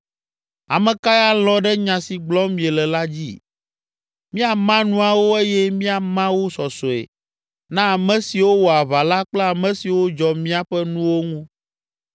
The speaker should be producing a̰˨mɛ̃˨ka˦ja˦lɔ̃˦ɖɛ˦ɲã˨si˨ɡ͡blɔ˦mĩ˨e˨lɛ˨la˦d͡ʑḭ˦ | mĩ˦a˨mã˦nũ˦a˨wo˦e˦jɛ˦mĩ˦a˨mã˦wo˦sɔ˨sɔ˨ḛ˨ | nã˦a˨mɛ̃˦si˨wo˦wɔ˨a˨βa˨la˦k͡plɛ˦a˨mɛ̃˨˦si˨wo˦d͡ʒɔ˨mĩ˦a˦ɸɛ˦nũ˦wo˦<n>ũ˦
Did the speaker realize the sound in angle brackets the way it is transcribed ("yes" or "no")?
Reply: no